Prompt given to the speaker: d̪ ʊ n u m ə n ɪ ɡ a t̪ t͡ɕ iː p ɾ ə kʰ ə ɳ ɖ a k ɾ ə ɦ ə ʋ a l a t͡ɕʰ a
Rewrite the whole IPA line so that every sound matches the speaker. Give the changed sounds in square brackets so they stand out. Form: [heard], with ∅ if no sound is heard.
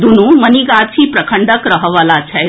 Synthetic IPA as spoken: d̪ [u] n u m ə n [i] ɡ a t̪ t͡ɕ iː p ɾ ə kʰ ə ɳ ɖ [ə] k ɾ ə ɦ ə ʋ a l a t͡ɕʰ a